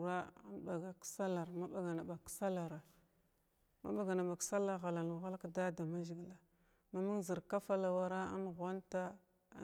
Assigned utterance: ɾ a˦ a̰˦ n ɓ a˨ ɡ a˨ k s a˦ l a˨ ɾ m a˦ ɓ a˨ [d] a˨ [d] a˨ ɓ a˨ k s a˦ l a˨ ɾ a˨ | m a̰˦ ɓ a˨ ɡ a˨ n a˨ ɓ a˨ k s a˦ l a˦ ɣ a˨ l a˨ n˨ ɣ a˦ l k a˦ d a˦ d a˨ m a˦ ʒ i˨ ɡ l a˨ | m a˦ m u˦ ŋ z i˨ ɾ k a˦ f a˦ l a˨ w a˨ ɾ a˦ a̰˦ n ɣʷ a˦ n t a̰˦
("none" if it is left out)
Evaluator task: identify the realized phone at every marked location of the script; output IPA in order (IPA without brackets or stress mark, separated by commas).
ɡ, n